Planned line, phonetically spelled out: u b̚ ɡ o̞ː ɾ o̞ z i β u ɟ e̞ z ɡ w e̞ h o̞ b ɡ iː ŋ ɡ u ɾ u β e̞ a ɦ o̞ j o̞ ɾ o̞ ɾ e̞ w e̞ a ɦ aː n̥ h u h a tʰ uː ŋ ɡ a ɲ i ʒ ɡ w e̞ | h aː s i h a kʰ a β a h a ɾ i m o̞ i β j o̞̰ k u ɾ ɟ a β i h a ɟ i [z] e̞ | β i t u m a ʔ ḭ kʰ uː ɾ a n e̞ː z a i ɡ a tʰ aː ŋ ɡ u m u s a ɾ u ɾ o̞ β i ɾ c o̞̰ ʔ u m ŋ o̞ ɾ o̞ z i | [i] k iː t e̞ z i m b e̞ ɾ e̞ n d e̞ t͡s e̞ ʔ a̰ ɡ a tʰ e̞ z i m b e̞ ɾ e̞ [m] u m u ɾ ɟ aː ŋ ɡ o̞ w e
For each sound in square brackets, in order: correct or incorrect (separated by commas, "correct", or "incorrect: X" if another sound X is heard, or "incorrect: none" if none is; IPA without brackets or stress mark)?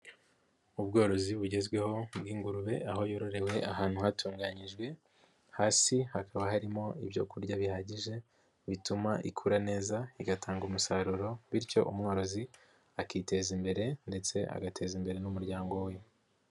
incorrect: ʒ, incorrect: a, incorrect: n